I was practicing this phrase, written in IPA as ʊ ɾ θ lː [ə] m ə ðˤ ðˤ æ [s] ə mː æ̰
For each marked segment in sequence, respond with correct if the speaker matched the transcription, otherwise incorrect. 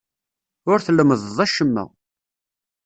correct, incorrect: ʃ

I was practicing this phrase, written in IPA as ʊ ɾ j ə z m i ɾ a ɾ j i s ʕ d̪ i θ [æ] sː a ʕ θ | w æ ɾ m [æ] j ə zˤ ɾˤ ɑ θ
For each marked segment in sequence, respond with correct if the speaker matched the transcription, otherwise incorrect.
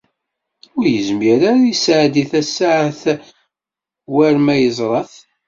correct, correct

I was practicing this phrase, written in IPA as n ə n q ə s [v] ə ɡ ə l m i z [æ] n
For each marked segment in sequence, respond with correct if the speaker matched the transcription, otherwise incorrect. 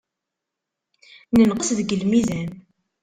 incorrect: ð, correct

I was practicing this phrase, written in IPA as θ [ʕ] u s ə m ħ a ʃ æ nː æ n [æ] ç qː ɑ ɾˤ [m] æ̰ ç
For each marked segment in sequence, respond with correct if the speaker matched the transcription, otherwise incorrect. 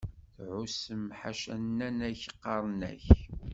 correct, correct, incorrect: n

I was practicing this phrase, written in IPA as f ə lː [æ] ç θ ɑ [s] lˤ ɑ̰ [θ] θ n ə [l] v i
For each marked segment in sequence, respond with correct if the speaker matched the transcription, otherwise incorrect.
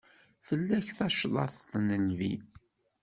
correct, incorrect: ʃ, correct, correct

